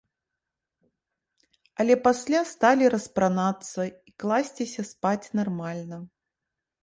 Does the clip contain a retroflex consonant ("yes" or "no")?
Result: no